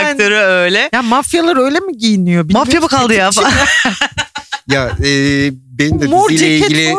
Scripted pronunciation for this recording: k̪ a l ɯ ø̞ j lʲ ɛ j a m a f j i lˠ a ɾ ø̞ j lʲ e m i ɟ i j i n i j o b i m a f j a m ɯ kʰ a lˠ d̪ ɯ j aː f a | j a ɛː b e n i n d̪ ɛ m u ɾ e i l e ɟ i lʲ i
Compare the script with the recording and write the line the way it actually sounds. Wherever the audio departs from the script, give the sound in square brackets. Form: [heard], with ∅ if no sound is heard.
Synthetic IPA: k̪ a [ɾ] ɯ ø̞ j lʲ ɛ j a m a f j [a] lˠ a ɾ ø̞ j lʲ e m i ɟ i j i n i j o b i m a f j a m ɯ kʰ a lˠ d̪ ɯ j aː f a | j a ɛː b e n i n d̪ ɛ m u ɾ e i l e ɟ i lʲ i